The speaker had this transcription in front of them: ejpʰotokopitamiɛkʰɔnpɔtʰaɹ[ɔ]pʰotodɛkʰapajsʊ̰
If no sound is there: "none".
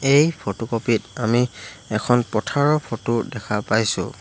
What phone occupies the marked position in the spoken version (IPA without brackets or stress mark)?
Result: ɔ